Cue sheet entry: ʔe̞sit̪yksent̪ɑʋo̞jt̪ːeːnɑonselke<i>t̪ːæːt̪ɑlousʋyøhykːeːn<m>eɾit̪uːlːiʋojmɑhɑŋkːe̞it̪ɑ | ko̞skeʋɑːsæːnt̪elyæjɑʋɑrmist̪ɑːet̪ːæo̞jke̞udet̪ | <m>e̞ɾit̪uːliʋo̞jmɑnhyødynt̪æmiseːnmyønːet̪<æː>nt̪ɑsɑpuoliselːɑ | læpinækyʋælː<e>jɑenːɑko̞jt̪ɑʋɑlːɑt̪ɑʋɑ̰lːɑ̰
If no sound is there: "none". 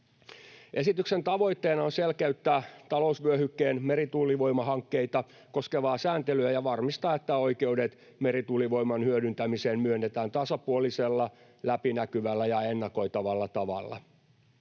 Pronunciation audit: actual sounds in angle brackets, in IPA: y, m, m, æː, æ

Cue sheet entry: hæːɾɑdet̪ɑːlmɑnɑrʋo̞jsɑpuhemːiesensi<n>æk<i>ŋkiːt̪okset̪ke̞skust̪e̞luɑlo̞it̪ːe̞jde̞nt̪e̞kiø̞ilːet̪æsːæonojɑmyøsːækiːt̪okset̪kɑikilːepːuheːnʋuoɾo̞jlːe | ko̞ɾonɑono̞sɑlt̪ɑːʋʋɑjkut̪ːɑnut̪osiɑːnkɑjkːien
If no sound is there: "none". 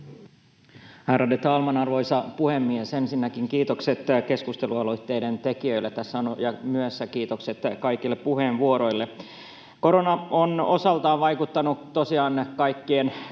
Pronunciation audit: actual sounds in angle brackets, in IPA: nː, i

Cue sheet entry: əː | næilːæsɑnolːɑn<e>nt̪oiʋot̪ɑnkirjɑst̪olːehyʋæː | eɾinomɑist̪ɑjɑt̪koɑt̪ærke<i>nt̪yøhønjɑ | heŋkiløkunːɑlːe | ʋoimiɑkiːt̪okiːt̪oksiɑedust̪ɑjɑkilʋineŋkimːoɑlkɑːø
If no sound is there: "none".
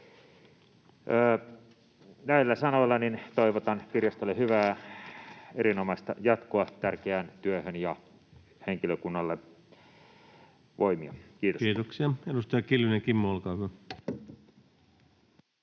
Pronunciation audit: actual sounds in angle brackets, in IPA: i, æ

